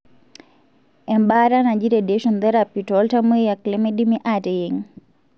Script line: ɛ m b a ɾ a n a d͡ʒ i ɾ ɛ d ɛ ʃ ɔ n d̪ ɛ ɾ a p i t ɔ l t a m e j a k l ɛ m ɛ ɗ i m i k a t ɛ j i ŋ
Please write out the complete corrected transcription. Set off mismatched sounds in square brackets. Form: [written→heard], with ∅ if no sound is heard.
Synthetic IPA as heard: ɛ m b a ɾ a n a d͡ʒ i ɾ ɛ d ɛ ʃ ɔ n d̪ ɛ ɾ a p i t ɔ l t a m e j a k l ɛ m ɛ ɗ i m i [k→ʔ] a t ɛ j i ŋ